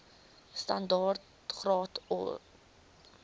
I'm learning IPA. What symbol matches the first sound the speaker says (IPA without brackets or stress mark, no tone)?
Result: s